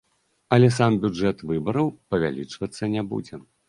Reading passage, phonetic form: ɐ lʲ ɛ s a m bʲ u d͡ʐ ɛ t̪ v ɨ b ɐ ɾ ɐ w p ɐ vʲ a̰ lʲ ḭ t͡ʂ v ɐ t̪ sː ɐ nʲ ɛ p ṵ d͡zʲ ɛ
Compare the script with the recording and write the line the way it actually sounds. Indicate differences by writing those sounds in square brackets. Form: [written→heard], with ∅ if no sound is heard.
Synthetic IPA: ɐ lʲ ɛ s a m bʲ u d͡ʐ ɛ t̪ v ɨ b ɐ ɾ ɐ w p ɐ vʲ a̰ lʲ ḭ t͡ʂ v ɐ t̪ sː ɐ nʲ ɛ [p→b] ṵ d͡zʲ ɛ